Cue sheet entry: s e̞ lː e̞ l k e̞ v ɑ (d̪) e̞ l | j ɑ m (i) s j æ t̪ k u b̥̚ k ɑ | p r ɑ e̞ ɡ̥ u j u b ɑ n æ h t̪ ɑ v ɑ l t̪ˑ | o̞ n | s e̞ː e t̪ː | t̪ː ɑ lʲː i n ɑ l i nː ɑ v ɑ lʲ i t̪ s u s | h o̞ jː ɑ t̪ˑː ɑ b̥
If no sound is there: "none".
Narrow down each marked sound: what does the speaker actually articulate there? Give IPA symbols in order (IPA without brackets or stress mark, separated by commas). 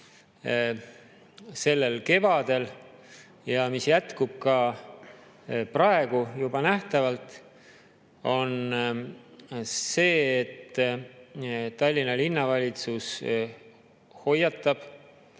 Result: d̪, i